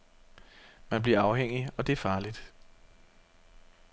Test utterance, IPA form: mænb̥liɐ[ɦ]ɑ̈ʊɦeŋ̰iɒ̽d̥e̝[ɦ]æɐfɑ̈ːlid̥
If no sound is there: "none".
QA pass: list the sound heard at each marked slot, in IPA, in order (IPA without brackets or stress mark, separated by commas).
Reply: none, none